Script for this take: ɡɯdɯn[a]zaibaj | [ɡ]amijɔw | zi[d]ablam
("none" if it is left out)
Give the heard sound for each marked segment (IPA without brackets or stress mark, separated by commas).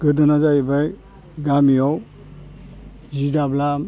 a, ɡ, d